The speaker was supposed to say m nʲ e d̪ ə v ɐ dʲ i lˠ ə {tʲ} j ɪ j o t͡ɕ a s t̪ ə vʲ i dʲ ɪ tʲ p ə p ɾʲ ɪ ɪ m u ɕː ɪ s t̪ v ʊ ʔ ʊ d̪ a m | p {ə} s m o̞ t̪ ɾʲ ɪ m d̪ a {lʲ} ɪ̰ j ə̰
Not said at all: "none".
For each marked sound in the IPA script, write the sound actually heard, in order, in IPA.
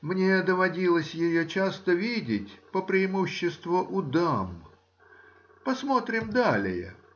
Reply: sʲ, ɐ, lʲ

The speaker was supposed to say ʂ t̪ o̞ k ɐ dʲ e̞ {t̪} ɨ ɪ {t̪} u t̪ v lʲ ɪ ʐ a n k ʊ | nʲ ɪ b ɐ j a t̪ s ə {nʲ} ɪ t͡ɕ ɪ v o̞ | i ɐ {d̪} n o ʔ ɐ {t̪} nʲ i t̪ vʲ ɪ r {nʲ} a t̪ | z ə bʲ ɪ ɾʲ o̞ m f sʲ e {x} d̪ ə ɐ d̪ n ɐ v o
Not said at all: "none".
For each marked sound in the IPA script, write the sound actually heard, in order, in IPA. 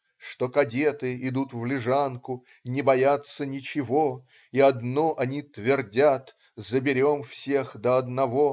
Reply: t̪, d̪, nʲ, d̪, none, dʲ, x

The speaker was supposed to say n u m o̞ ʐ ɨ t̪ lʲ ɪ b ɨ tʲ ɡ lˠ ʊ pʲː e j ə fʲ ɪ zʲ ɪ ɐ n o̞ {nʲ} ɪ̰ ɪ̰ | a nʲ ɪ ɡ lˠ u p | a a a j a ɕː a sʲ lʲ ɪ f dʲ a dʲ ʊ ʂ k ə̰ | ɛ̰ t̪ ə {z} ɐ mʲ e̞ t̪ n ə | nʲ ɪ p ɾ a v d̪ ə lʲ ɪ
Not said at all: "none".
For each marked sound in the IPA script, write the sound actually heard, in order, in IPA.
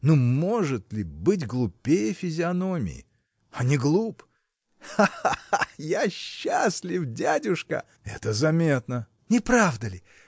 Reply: mʲ, z

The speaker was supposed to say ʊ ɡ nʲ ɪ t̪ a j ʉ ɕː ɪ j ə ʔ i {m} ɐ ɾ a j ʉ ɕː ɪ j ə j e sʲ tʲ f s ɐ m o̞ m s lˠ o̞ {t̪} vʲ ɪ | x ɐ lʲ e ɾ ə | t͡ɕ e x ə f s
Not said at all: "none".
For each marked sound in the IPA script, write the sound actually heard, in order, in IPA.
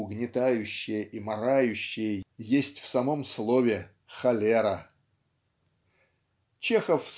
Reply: m, none

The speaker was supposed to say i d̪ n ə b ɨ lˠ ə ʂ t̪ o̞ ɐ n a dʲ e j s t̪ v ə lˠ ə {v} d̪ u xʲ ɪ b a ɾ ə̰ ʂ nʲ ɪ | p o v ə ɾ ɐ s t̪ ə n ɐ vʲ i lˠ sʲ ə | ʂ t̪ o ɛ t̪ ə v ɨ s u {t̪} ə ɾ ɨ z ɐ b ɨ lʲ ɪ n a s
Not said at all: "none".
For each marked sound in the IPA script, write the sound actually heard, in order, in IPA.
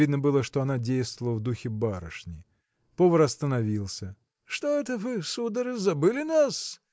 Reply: v, d̪

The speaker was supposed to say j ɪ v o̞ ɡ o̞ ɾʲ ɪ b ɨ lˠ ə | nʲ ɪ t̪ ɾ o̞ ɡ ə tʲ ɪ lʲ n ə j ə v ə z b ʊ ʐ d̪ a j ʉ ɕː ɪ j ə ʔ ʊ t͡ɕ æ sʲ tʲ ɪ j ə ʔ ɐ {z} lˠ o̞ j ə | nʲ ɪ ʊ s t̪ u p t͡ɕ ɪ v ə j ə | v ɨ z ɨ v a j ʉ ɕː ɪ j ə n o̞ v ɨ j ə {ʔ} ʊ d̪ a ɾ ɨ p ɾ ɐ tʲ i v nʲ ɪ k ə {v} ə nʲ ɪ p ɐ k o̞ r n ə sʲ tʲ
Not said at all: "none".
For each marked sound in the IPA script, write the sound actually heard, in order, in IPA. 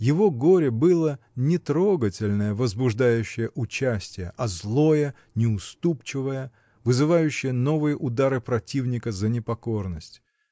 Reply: z, ʔ, z

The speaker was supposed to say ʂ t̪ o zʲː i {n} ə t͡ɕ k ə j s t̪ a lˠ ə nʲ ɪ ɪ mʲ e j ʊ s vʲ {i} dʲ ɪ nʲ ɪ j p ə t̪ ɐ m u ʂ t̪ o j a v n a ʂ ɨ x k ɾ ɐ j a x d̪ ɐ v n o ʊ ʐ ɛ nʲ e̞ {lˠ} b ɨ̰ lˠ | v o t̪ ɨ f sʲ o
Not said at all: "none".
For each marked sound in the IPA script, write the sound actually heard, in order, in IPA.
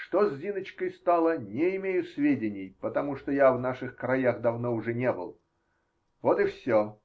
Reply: n, e, none

